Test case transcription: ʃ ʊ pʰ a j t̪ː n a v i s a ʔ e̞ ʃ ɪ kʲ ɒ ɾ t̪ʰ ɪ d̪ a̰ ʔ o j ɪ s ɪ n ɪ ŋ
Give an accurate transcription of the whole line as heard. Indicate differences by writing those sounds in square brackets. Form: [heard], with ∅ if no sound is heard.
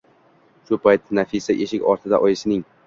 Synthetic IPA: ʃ ʊ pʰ a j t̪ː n a [f] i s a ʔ e̞ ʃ ɪ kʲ ɒ ɾ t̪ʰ ɪ d̪ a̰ ʔ [ɒ] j ɪ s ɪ n ɪ ŋ